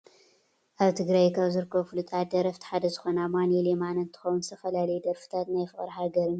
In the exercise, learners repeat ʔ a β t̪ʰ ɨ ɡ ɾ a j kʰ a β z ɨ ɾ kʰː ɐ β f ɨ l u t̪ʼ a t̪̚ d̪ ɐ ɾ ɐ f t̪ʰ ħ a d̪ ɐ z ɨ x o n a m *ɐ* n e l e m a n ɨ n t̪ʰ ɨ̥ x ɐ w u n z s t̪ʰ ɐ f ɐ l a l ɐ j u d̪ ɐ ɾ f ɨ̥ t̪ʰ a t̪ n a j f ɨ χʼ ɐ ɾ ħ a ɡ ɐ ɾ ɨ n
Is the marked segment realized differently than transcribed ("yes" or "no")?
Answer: yes